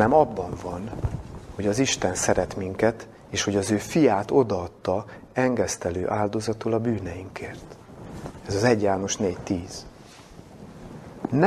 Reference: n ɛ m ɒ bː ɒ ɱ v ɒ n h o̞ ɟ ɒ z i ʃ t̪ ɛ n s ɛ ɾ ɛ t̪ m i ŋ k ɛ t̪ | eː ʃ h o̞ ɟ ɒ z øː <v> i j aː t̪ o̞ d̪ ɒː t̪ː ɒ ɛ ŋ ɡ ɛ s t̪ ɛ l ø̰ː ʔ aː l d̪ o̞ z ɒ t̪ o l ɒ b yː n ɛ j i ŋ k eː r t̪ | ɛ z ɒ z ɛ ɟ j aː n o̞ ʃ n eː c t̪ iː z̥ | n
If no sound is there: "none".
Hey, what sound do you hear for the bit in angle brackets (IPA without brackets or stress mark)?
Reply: f